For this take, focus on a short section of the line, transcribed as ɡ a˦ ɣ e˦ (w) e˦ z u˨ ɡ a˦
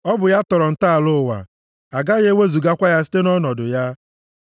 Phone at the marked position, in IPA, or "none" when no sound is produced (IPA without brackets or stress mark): w